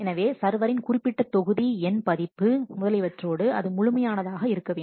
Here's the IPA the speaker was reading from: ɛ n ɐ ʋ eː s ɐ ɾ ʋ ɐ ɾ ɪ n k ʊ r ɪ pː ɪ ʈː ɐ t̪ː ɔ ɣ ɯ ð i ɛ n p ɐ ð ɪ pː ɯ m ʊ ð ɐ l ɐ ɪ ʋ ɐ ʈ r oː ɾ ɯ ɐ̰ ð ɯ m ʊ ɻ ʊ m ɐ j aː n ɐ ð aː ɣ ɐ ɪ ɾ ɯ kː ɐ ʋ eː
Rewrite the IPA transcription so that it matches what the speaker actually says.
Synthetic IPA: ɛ n ɐ ʋ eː s ɐ ɾ ʋ ɐ ɾ ɪ n k ʊ r ɪ pː ɪ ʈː ɐ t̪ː ɔ ɣ ɯ ð i ɛ n p ɐ ð ɪ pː ɯ m ʊ ð ɐ l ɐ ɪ ʋ ɐ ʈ r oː ɽ ɯ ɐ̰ ð ɯ m ʊ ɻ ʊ m ɐ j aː n ɐ ð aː ɣ ɐ ɪ ɾ ɯ kː ɐ ʋ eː